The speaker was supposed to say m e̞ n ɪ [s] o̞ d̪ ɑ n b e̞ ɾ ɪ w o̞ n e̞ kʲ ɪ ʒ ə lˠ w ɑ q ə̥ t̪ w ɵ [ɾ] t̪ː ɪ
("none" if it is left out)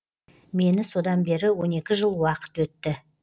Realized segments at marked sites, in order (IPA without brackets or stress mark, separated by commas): s, none